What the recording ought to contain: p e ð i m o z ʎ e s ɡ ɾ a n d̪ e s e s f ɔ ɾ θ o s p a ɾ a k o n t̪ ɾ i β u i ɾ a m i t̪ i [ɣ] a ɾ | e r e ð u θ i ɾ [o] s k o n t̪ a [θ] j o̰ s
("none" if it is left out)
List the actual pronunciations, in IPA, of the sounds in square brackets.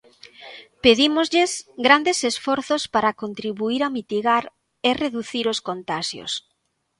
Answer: ɣ, o, ʃ

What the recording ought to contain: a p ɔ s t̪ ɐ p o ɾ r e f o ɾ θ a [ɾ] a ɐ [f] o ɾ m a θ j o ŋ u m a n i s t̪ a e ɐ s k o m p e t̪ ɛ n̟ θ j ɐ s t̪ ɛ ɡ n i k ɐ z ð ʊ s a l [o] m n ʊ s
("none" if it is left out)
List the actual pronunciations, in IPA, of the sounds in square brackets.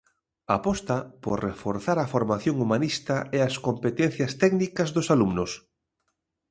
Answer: ɾ, f, u

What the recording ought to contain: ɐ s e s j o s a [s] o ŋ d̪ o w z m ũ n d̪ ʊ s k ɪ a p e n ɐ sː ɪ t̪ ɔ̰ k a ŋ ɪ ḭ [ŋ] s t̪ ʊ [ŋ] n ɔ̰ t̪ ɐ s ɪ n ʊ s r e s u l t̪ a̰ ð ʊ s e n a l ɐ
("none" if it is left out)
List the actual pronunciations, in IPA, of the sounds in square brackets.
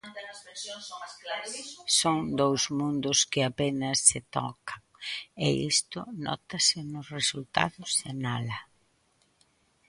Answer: s, none, none

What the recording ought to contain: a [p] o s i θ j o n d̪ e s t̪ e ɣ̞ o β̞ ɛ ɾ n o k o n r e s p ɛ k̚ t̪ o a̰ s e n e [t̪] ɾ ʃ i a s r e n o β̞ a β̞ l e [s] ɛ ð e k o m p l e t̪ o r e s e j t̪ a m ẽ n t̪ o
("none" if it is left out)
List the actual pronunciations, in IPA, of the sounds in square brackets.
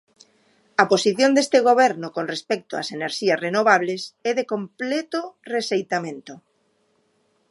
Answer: p, none, s

